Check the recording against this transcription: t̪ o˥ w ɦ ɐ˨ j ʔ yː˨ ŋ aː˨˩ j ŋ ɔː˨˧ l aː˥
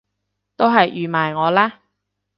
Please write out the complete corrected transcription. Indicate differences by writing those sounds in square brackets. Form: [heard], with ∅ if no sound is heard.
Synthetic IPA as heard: t̪ o˥ w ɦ ɐ˨ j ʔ yː˨ [m] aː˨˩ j ŋ ɔː˨˧ l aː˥